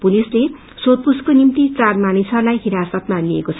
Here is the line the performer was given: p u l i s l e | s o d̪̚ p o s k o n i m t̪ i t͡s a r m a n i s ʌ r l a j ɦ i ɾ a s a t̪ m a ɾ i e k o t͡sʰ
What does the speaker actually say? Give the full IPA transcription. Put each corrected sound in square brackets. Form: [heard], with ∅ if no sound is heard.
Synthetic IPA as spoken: p u l i s l e | s o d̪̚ p [u] s k o n i m t̪ i t͡s a r m a n i s ʌ r l a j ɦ i ɾ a s [ʌ] t̪ m a [l] i e k o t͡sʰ